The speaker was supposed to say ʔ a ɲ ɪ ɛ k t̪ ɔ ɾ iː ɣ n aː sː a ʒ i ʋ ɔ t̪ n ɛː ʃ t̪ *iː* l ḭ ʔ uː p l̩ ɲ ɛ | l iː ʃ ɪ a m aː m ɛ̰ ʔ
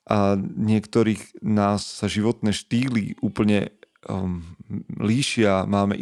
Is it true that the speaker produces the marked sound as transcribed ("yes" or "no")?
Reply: yes